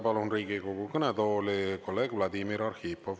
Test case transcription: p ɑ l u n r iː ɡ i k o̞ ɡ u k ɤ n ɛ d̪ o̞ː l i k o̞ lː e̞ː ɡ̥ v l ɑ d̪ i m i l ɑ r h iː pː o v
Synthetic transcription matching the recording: p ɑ l u n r iː ɡ i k o̞ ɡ u k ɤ n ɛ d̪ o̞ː l i k o̞ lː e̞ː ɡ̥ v l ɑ d̪ i m i ɾ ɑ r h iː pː o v